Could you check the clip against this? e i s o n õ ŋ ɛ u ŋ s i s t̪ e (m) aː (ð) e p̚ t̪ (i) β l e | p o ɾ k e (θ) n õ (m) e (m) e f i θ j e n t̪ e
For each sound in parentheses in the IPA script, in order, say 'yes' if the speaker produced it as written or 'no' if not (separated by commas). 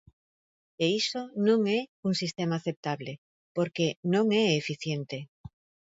yes, no, no, no, no, no